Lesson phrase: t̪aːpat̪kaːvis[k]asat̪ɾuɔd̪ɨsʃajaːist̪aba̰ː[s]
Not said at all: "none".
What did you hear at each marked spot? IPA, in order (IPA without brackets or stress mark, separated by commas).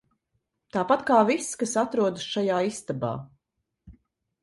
k, none